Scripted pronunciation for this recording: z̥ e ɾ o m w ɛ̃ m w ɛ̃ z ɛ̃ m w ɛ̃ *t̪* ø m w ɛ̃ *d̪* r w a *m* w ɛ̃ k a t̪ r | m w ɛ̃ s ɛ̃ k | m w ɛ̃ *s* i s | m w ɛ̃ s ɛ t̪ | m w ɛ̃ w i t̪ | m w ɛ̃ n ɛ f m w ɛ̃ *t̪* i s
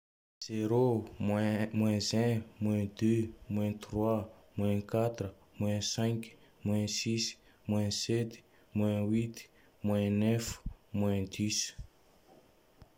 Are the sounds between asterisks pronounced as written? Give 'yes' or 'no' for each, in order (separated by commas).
no, no, yes, yes, no